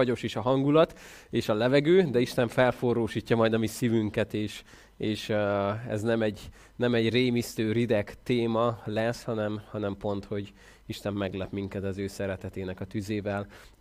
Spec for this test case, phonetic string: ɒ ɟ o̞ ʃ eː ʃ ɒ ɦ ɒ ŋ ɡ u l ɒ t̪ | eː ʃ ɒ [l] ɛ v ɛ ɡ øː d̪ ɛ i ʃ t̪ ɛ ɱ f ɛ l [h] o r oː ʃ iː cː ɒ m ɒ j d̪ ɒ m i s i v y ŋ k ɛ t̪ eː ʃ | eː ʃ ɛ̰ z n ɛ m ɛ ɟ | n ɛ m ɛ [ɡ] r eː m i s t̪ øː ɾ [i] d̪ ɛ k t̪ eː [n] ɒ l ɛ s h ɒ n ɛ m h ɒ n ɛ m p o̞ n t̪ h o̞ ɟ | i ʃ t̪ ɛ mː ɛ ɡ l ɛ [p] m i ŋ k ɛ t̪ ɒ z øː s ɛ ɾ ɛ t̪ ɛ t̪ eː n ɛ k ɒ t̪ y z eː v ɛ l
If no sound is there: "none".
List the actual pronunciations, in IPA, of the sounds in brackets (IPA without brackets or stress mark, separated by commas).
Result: l, f, ɟ, i, m, p